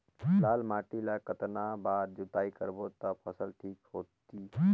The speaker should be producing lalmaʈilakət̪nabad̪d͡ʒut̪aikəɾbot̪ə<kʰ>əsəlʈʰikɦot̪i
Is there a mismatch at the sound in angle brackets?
yes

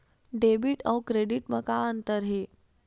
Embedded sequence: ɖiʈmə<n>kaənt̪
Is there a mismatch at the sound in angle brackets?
yes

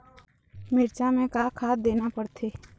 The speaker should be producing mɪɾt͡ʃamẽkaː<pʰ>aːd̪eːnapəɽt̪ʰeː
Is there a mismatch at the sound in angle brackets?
yes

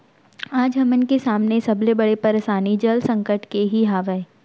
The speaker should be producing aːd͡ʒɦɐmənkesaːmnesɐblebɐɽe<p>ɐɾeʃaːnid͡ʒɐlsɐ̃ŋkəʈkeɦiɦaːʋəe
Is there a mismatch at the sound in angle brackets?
no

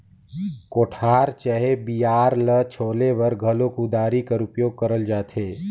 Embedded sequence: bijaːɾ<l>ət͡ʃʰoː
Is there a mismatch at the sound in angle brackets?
no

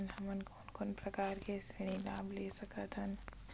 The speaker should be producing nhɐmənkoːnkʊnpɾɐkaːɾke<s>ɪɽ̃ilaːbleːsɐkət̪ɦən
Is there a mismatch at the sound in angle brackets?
no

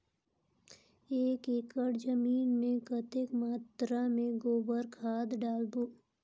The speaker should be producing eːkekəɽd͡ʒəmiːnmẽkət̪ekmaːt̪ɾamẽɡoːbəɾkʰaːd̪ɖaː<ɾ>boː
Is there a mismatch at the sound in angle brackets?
yes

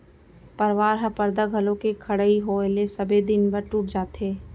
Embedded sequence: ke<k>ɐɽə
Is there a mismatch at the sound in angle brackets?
yes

